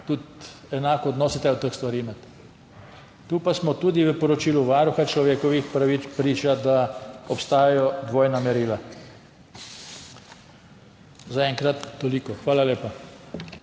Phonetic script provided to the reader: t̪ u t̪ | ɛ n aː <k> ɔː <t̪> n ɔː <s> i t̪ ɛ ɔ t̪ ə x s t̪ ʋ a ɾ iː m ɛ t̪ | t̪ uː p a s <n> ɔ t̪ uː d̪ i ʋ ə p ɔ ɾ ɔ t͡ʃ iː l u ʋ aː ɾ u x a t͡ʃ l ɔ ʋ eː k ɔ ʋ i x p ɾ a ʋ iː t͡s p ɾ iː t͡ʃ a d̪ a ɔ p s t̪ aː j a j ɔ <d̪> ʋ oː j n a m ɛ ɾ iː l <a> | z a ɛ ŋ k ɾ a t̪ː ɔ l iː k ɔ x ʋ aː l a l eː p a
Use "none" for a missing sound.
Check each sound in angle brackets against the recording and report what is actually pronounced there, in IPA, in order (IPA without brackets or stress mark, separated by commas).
k, d̪, s, m, d̪, a